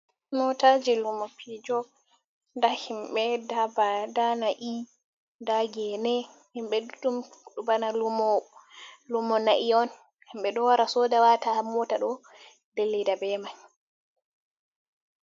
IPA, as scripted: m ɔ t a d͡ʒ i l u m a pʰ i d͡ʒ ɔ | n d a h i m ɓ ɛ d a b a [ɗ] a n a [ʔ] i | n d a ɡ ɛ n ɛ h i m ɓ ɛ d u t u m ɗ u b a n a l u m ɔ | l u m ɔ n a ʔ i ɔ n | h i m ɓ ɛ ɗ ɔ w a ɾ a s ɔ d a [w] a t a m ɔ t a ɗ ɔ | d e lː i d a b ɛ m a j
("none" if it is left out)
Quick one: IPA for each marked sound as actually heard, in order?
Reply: d, ʔ, w

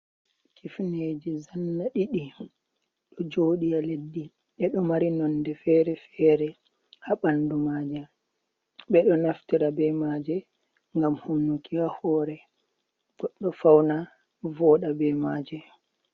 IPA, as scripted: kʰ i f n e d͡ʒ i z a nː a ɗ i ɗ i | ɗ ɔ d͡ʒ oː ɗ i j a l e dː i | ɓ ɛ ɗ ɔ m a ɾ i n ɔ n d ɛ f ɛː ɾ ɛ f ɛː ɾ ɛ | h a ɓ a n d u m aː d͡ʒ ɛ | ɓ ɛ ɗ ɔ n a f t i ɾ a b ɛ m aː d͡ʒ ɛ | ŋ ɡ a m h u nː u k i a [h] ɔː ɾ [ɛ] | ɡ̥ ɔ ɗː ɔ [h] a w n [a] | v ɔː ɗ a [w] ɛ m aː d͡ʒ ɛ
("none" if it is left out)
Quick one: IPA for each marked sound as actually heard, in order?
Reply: h, ɛ, f, a, b

